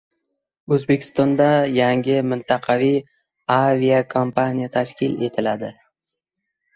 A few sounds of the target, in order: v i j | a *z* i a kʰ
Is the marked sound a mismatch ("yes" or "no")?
yes